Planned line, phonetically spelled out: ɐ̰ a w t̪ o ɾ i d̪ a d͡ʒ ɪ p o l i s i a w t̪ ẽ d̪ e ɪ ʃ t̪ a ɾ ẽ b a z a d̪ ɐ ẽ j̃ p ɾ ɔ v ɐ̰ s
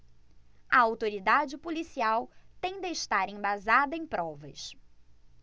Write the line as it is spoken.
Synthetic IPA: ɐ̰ a w t̪ o ɾ i d̪ a d͡ʒ ɪ p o l i s i a w t̪ ẽ d̪ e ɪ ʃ t̪ a ɾ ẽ b a z a d̪ ɐ ẽ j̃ p ɾ ɔ v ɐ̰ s